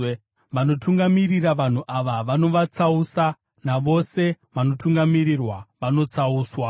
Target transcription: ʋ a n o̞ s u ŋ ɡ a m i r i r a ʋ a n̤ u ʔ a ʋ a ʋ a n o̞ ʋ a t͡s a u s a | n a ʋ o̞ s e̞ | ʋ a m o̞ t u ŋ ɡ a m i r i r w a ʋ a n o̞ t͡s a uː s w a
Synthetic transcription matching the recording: ʋ a n o̞ t u ŋ ɡ a m i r i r a ʋ a n̤ u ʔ a ʋ a ʋ a n o̞ ʋ a t͡s a u s a | n a ʋ o̞ s e̞ | ʋ a n o̞ t u ŋ ɡ a m i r i r w a ʋ a n o̞ t͡s a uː s w a